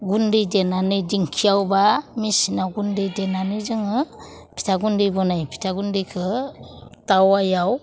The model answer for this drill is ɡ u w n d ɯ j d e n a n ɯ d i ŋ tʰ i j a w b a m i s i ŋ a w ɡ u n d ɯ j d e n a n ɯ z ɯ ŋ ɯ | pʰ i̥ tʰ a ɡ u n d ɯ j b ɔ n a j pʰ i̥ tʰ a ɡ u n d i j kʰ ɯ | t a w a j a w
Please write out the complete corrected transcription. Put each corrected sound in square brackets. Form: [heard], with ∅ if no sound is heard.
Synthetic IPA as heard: ɡ u [∅] n d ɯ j d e n a n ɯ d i ŋ [kʰ] i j a w b a m i s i [n] a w ɡ u n d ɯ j d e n a n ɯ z ɯ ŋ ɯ | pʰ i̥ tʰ a ɡ u n d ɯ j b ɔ n a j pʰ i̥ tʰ a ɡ u n d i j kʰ ɯ | t a w a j a w